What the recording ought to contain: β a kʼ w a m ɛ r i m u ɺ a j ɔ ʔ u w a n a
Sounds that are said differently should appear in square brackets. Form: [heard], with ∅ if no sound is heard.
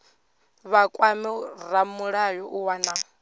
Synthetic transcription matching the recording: β a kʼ w a m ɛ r [a] m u ɺ a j ɔ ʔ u w a n a